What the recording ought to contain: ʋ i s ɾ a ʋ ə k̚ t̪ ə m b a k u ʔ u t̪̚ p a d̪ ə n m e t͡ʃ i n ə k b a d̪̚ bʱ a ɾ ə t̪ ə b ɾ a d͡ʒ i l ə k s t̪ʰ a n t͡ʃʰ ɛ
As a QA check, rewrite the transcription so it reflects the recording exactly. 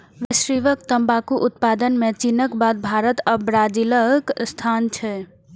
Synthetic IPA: ʋ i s ɾ i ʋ ə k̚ t̪ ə m b a k u ʔ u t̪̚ p a d̪ ə n m e t͡ʃ i n ə k b a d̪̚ bʱ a ɾ ə t̪ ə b ɾ a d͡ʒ i l ə k s t̪ʰ a n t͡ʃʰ ɛ

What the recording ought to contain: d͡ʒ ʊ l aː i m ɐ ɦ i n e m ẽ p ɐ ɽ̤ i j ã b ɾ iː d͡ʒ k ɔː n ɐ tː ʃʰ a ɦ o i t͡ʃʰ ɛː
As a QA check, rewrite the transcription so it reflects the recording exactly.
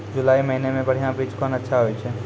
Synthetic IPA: d͡ʒ ʊ l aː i m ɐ ɦ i n e m ẽ b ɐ ɽ̤ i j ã b ɾ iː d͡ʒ k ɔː n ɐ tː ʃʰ a ɦ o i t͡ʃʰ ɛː

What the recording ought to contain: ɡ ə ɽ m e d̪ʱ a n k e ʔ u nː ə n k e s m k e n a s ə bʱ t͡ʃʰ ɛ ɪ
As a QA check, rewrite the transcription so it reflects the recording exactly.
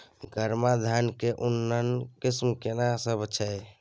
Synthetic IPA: ɡ ə ɾ m a d̪ʱ a n k e ʔ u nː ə n k i s m k e n a s ə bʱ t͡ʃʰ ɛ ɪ

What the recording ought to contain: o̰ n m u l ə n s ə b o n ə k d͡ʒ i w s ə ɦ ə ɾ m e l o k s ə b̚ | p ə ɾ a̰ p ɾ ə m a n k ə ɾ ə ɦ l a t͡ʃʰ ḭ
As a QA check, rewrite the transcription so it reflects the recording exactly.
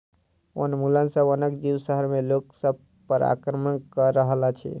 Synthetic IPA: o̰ n m u l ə n s ə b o n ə k d͡ʒ i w s ə ɦ ə ɾ m e l o k s ə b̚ | p ə ɾ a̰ k ɾ ə m ə n k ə ɾ ə ɦ l a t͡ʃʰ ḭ

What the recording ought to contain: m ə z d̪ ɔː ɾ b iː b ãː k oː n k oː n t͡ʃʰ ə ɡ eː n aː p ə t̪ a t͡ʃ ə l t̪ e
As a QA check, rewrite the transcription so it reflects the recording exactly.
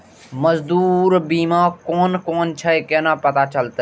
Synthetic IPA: m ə z d̪ uː ɾ b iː m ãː k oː n k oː n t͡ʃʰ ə k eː n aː p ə t̪ a t͡ʃ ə l t̪ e

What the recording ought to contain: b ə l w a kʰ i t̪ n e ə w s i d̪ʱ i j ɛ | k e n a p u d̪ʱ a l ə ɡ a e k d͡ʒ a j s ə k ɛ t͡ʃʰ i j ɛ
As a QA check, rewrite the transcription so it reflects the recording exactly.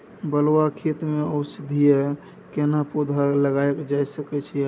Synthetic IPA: b ə l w a kʰ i t̪ m e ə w s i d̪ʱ i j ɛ | k e n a p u d̪ʱ a l ə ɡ a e k d͡ʒ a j s ə k ɛ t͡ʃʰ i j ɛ

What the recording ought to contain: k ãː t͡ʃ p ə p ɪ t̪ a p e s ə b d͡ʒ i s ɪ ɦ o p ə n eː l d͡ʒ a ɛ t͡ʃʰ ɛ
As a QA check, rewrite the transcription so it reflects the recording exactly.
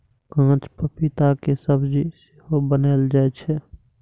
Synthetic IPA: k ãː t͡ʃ p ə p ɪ t̪ a k e s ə b d͡ʒ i s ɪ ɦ o b ə n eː l d͡ʒ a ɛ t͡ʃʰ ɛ

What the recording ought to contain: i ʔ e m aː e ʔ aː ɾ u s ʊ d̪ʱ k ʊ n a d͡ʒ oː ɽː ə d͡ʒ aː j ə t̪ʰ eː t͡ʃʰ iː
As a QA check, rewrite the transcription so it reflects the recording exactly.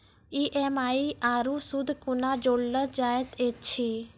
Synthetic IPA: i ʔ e m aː i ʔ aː ɾ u s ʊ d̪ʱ k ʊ n a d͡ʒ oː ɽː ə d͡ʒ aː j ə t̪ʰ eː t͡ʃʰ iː

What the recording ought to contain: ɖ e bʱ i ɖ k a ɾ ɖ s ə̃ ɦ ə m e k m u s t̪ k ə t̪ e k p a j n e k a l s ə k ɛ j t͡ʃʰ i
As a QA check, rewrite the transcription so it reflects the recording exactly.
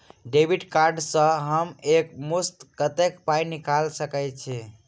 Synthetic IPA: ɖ e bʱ i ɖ k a ɾ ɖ s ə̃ ɦ ə m e k m u s t̪ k ə t̪ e k p a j n i k a l s ə k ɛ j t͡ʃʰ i

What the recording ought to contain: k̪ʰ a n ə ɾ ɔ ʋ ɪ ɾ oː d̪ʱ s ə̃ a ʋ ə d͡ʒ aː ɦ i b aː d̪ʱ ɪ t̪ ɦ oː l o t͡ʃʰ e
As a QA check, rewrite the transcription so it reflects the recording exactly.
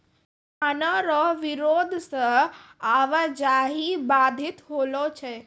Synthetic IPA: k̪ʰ a n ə ɾ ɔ ʋ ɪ ɾ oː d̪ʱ s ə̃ a ʋ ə d͡ʒ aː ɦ i b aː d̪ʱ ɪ t̪ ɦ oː l o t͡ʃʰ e

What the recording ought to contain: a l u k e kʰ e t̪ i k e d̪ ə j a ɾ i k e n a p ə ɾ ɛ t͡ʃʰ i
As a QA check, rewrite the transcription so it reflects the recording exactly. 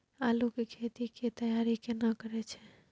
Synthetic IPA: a l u k e kʰ e t̪ i k e t̪ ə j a ɾ i k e n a k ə ɾ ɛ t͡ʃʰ ɛ

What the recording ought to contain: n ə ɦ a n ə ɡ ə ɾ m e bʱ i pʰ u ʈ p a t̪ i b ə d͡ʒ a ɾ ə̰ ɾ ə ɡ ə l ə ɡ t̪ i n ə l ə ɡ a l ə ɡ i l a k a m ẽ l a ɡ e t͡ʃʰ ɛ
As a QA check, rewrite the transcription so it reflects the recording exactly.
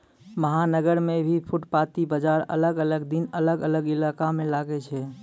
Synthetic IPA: m ə ɦ a n ə ɡ ə ɾ m e bʱ i pʰ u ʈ p a t̪ i b ə d͡ʒ a ɾ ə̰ l ə ɡ ə l ə ɡ d̪ i n ə l ə ɡ ə l ə ɡ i l a k a m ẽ l a ɡ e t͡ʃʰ ɛ

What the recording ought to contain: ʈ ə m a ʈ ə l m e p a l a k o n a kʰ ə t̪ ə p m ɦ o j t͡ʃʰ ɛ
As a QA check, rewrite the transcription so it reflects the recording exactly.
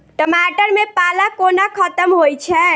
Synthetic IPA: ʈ ə m a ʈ ə ɾ m e p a l a k o n a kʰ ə t̪ ə m ɦ o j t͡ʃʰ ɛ

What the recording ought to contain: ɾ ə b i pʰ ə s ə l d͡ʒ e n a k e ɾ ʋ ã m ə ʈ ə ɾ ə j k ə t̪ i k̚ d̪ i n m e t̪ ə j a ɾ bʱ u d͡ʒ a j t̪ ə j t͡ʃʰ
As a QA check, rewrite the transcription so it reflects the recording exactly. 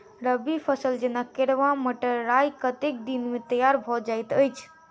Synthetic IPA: ɾ ə b i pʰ ə s ə l d͡ʒ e n a k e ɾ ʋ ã m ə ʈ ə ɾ a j k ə t̪ e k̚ d̪ i n m e t̪ ə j a ɾ bʱ ɔ d͡ʒ a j t̪ ə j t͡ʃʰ

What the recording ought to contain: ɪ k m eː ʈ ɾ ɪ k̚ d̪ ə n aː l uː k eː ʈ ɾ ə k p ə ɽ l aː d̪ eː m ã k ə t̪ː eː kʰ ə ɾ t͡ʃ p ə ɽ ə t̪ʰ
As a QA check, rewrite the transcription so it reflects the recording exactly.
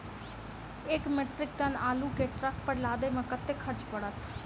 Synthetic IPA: ɪ k m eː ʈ ɾ ɪ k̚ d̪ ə n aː l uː k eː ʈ ɾ ə k p ə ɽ l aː d̪ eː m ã k ə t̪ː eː kʰ ə ɾ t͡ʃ p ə ɽ ə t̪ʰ

